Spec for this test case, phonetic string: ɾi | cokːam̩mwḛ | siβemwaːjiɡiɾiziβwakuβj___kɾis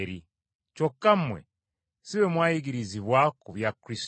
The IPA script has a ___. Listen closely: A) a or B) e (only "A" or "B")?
A